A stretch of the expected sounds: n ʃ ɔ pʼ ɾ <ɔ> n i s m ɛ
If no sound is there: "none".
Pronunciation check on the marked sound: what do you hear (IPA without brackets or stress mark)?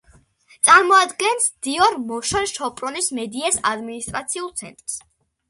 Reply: ɔ